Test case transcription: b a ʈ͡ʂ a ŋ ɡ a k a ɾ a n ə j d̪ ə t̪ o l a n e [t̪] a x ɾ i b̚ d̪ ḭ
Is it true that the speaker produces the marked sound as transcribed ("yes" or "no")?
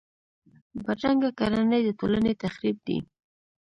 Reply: yes